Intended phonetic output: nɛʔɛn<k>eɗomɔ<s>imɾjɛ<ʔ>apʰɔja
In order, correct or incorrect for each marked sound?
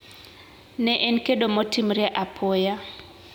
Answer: correct, incorrect: t, correct

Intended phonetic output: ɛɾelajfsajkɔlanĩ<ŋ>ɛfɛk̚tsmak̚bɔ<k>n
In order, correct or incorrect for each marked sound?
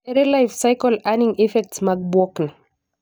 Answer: correct, correct

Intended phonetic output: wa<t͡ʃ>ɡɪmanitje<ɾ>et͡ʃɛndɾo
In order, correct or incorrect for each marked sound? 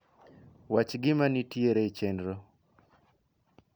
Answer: correct, correct

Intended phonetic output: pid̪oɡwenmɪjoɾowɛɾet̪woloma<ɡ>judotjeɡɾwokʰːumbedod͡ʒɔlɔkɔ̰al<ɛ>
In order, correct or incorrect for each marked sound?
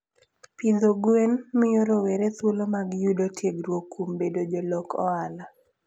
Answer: correct, incorrect: a

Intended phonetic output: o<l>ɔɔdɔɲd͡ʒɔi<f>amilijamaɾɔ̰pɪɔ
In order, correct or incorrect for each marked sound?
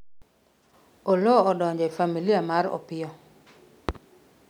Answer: correct, correct

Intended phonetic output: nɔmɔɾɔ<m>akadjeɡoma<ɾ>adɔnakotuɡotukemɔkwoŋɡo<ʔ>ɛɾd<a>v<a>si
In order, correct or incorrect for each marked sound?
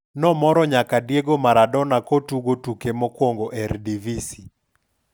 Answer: incorrect: ɲ, correct, correct, incorrect: i, incorrect: i

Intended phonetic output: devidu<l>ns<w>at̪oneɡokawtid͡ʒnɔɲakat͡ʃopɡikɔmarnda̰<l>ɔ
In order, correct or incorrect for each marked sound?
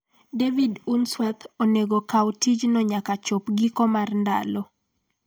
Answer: incorrect: none, correct, correct

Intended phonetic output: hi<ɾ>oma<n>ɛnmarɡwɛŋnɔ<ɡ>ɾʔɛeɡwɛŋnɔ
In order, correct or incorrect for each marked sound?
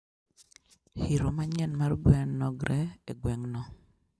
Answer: correct, incorrect: ɲ, correct

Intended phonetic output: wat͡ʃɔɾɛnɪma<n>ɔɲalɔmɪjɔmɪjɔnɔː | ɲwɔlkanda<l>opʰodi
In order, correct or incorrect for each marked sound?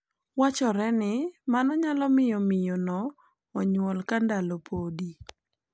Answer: correct, correct

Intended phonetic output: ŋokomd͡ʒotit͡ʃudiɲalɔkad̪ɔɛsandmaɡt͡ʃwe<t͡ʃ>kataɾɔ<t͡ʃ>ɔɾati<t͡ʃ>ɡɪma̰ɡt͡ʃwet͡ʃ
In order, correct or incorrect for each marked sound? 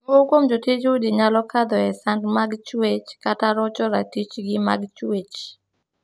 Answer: correct, correct, correct

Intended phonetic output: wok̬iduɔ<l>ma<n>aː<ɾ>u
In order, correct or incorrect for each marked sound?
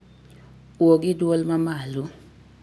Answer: correct, incorrect: m, incorrect: l

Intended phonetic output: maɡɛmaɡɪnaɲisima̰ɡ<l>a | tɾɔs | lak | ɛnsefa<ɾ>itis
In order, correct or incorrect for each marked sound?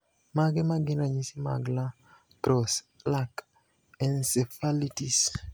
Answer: correct, incorrect: l

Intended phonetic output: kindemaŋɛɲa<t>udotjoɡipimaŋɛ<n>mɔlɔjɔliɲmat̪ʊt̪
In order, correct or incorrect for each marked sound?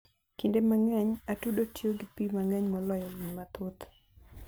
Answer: correct, incorrect: ɲ

